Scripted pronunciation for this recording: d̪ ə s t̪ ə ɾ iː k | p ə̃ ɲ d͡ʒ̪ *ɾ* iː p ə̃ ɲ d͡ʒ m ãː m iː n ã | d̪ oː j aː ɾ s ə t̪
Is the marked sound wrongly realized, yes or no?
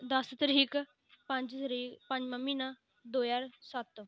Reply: no